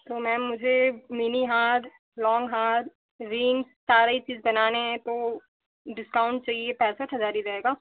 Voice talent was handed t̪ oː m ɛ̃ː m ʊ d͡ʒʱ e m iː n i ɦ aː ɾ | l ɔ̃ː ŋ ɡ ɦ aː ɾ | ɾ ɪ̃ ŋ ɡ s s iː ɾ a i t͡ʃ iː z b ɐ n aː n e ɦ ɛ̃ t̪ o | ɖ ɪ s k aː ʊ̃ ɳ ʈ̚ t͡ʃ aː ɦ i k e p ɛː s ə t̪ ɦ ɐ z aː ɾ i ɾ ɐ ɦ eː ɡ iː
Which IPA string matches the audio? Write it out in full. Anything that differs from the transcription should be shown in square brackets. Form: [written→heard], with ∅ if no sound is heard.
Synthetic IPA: t̪ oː m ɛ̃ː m ʊ d͡ʒʱ e m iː n i ɦ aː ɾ | l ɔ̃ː ŋ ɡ ɦ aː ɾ | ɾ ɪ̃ ŋ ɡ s s [iː→aː] ɾ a i t͡ʃ iː z b ɐ n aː n e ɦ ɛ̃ t̪ o | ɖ ɪ s k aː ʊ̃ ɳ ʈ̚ t͡ʃ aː ɦ i [k→∅] e p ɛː s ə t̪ ɦ ɐ z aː ɾ i ɾ ɐ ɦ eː ɡ [iː→aː]